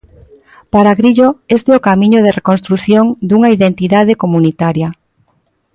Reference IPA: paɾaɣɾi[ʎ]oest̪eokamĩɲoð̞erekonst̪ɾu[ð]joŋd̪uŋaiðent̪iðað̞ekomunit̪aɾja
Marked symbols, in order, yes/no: yes, no

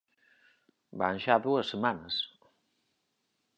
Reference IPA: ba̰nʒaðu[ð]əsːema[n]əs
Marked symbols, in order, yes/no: no, yes

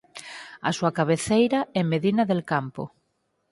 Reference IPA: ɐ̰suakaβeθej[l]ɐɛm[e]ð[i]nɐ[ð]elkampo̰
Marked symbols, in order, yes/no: no, yes, yes, yes

